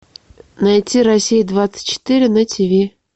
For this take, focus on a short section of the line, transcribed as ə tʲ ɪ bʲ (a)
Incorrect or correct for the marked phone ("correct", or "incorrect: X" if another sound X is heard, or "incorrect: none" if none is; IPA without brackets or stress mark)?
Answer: incorrect: e